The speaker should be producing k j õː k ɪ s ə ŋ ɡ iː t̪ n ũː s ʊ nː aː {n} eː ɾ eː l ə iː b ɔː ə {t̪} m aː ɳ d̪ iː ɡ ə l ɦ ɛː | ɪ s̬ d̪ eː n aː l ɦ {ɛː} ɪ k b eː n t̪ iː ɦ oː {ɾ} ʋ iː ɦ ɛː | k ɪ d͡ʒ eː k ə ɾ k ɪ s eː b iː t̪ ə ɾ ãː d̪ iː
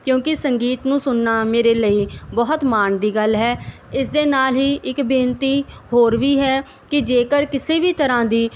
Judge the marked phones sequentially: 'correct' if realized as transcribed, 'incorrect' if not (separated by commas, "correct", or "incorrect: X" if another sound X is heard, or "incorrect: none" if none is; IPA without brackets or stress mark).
incorrect: m, correct, incorrect: iː, correct